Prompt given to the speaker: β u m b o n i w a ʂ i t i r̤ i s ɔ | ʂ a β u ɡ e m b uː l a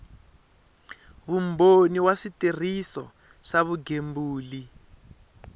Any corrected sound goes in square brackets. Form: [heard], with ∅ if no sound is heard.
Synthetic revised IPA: β u m b o n i w a ʂ i t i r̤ i s ɔ | ʂ a β u ɡ e m b uː l [i]